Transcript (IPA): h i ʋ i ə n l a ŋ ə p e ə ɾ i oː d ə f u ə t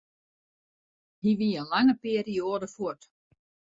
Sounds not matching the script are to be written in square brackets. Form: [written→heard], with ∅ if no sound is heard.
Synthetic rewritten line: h i ʋ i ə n l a ŋ ə p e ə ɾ i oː d ə f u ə t